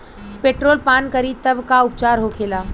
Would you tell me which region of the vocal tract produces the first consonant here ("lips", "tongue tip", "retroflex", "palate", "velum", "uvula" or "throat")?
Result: lips